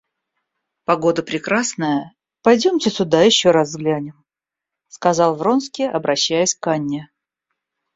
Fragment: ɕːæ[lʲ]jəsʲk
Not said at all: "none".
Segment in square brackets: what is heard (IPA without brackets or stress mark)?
none